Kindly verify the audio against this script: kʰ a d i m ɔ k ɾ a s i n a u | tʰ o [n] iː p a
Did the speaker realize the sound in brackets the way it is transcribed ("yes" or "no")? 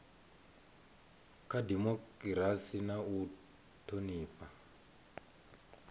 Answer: yes